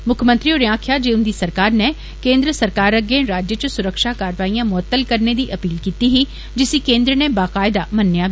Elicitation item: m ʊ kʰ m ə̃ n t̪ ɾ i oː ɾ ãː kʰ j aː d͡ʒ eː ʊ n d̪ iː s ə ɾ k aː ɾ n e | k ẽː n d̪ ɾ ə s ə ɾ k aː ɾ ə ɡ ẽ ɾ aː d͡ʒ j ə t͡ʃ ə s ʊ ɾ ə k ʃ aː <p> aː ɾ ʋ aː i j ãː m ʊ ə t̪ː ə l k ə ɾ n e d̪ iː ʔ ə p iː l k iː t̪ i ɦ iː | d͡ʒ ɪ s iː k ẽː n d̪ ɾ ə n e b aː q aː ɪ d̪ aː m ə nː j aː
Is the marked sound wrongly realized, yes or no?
yes